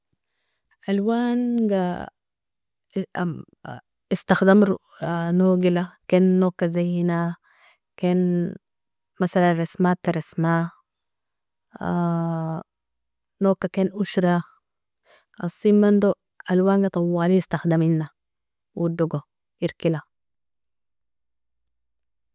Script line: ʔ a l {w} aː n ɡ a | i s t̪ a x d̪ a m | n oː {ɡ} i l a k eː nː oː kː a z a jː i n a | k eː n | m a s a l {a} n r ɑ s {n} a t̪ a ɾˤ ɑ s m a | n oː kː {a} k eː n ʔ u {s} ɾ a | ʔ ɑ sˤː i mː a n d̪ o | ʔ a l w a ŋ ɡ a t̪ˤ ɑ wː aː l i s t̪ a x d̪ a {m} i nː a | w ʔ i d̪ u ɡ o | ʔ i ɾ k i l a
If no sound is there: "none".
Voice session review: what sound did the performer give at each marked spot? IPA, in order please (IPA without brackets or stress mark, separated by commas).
w, ɡ, a, m, a, ʃ, m